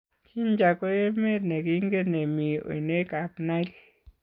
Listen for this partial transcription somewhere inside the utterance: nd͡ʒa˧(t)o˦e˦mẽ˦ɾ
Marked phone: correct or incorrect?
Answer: incorrect